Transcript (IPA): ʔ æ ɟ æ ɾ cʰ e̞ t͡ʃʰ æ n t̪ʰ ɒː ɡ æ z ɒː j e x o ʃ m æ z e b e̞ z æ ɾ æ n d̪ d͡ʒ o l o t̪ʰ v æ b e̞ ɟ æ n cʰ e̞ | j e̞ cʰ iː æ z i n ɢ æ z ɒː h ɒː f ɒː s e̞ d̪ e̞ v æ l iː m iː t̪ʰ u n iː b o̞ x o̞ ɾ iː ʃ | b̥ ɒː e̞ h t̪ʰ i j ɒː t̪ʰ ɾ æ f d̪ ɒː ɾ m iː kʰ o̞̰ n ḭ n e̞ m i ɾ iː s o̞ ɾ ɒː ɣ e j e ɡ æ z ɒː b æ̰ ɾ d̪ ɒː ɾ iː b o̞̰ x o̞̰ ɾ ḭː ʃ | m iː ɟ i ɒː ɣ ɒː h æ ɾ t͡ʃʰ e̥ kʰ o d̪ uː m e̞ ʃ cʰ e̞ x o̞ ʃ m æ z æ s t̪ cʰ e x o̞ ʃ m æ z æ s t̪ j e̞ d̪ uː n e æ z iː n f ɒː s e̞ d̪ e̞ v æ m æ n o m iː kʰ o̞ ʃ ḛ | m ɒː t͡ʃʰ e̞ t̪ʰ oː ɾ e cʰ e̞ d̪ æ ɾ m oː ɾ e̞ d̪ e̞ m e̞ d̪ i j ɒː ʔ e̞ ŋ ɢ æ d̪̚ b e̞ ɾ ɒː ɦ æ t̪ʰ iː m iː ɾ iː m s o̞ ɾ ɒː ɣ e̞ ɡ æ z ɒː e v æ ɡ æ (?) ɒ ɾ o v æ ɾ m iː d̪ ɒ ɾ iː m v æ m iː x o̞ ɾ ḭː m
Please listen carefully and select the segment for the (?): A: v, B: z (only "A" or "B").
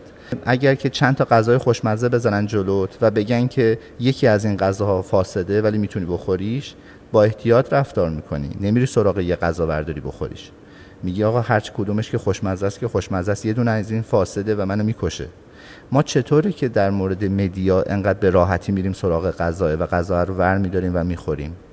B